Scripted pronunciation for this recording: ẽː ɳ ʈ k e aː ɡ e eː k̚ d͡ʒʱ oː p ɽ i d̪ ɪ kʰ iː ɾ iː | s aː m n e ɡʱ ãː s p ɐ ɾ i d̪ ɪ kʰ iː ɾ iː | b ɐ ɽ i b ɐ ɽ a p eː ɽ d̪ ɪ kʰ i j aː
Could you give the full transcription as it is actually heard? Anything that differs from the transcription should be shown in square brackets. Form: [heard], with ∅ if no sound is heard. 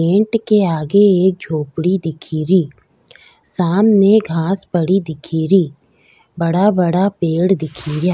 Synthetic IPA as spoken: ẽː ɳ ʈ k e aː ɡ e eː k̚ d͡ʒʱ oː p ɽ i d̪ ɪ kʰ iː ɾ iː | s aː m n e ɡʱ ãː s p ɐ [ɽ] i d̪ ɪ kʰ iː ɾ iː | b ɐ ɽ [a] b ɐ ɽ a p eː ɽ d̪ ɪ kʰ i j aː